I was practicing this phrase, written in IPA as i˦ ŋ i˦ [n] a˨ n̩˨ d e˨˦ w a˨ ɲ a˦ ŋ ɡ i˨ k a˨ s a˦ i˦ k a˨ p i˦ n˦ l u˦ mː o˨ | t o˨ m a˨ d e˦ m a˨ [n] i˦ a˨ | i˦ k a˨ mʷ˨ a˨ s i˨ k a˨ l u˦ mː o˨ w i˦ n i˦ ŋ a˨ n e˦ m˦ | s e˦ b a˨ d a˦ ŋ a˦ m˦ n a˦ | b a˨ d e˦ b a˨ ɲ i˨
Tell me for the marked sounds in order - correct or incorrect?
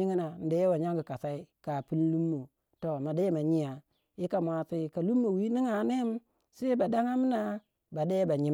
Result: correct, incorrect: ɲ

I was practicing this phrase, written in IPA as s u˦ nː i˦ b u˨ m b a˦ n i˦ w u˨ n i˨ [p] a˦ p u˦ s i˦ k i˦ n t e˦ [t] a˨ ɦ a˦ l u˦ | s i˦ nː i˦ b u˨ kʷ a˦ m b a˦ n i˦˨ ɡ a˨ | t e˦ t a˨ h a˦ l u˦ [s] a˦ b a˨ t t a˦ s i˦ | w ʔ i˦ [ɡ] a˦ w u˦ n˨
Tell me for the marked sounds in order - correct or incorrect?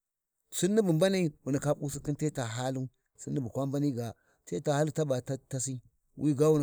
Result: incorrect: k, correct, incorrect: t, correct

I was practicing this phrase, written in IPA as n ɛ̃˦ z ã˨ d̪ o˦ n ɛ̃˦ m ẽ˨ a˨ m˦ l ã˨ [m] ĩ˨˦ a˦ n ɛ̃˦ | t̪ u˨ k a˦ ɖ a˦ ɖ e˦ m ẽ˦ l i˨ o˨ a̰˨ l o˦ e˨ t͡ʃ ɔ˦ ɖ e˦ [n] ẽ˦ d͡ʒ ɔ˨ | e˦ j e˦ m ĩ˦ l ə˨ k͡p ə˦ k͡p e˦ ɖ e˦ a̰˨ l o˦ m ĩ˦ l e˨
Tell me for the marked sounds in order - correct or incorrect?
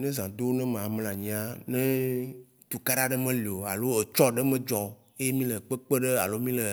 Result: incorrect: ɲ, incorrect: m

